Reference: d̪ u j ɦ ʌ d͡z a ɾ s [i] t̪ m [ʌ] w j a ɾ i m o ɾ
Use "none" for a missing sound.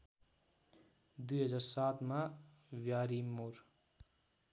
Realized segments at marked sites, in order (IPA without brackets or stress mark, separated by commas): a, a